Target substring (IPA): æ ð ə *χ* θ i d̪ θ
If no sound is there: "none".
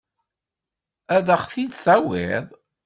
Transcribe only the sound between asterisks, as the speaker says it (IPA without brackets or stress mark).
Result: χ